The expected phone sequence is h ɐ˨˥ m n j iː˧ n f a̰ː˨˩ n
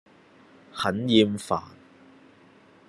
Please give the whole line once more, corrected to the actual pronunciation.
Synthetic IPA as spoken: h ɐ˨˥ n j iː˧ m f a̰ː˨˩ n